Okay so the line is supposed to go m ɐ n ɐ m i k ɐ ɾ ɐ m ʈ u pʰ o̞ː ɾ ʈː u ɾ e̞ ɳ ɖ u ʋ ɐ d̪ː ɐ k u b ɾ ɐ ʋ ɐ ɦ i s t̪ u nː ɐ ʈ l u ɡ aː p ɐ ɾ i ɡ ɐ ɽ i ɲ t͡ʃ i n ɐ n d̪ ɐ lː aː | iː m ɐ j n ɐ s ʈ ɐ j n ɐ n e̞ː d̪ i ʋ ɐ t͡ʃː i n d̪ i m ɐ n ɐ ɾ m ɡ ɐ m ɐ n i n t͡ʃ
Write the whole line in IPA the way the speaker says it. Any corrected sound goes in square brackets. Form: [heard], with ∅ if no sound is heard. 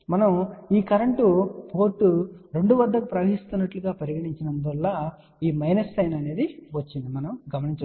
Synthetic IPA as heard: m ɐ n ɐ m [iː] k ɐ ɾ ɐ [ɳ] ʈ u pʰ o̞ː ɾ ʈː u ɾ e̞ ɳ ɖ u ʋ ɐ d̪ː ɐ k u [p] ɾ ɐ ʋ ɐ ɦ i s t̪ u nː ɐ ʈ l u ɡ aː p ɐ ɾ i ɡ ɐ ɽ i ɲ t͡ʃ i n ɐ n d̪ ɐ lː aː | iː m ɐ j n ɐ s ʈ ɐ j n ɐ n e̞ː d̪ i ʋ ɐ t͡ʃː i n d̪ i m ɐ n ɐ [∅] m ɡ ɐ m ɐ n i [ɲ] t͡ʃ